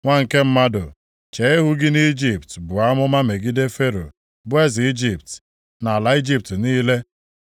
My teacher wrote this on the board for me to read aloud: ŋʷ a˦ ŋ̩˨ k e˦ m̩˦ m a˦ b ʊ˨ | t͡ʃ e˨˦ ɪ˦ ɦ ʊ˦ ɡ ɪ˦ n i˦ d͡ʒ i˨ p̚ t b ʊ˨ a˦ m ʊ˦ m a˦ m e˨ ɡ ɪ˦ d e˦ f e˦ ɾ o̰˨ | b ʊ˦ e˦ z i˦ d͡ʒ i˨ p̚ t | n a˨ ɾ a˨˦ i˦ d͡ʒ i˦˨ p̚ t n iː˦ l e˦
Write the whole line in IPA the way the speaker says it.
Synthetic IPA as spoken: ŋʷ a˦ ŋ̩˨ k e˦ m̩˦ m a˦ d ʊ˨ | t͡ʃ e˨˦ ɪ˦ ɦ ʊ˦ ɡ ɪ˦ n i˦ d͡ʒ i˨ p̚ t b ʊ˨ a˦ m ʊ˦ m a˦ m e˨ ɡ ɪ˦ d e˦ f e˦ ɾ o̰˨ | b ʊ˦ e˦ z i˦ d͡ʒ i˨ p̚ t | n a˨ l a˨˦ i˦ d͡ʒ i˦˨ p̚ t n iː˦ l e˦